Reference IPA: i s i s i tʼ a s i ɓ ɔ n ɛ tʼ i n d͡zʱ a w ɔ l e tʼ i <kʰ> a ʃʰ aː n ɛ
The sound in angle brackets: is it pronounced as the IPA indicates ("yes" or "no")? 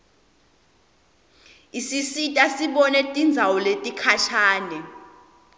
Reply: yes